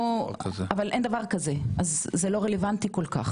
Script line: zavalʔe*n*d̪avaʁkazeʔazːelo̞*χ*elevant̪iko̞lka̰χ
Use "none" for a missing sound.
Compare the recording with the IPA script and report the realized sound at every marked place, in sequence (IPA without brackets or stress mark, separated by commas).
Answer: n, ʁ